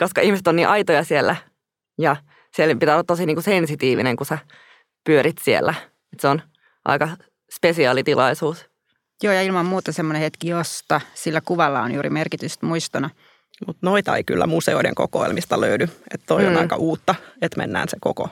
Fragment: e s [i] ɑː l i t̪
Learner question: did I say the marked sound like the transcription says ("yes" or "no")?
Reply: yes